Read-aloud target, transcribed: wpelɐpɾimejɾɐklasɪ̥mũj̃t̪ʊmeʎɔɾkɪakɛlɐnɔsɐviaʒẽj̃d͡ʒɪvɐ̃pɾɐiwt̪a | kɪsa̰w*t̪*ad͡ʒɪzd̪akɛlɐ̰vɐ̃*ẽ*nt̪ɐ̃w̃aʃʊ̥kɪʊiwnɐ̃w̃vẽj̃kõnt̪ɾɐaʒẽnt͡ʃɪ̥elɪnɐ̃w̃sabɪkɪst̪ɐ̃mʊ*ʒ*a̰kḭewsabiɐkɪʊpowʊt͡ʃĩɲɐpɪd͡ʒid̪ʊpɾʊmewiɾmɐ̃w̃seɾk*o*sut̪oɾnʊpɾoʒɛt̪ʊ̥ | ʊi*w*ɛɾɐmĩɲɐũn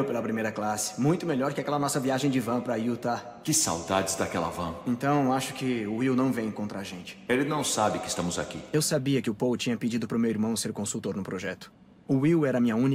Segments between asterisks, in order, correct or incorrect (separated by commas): incorrect, correct, incorrect, incorrect, correct